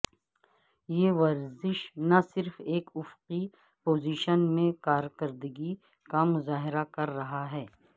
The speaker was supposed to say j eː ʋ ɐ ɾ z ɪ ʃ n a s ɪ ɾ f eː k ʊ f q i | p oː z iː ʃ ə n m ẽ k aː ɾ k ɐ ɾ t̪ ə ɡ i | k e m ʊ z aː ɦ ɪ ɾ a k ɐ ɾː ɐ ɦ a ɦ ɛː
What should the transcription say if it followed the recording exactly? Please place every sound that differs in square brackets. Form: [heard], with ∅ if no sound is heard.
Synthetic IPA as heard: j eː ʋ ɐ ɾ z ɪ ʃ n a s ɪ ɾ f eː k ʊ f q i | p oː z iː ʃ ə n m ẽ k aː ɾ k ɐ ɾ [d̪] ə ɡ i | k [a] m ʊ z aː ɦ ɪ ɾ a k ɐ ɾː ɐ ɦ a ɦ ɛː